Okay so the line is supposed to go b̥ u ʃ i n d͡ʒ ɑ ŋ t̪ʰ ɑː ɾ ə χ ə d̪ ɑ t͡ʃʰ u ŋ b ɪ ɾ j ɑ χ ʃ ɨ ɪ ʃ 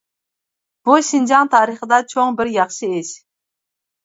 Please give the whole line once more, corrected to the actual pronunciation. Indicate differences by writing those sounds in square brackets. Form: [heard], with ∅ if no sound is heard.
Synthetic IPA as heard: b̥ u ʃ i n d͡ʒ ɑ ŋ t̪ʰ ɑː ɾ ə χ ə d̪ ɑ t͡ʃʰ [o] ŋ b ɪ ɾ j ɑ χ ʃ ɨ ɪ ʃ